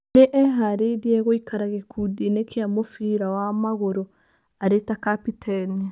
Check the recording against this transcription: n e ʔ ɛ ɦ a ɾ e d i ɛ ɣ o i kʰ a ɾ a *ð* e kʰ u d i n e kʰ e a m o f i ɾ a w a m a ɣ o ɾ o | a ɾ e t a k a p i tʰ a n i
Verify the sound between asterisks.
incorrect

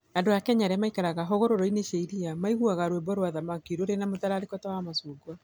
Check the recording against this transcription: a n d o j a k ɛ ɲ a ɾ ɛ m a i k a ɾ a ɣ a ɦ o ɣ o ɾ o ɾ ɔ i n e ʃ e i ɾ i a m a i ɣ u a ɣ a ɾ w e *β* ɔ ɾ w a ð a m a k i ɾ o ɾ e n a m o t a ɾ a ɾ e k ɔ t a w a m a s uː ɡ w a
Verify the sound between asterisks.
incorrect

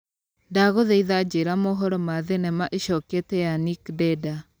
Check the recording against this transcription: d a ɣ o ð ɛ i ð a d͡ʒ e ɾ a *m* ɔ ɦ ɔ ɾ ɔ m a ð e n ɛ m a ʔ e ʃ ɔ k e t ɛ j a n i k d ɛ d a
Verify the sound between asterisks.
correct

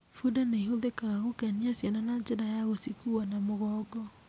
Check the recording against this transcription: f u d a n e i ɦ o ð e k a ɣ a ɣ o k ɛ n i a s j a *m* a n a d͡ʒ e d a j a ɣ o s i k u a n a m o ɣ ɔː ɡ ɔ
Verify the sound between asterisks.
incorrect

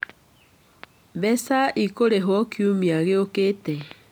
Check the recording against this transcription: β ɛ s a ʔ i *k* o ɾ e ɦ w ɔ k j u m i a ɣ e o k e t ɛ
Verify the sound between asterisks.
correct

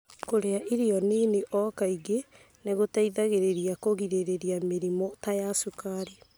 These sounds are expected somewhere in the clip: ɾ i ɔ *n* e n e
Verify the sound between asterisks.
correct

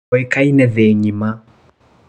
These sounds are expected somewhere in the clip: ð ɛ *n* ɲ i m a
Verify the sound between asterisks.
incorrect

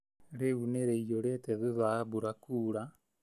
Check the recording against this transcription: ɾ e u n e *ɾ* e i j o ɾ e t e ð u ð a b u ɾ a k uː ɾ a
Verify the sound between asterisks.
correct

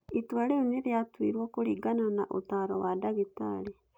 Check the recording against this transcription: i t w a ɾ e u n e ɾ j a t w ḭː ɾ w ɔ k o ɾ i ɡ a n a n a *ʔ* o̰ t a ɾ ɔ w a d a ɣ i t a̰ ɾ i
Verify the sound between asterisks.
correct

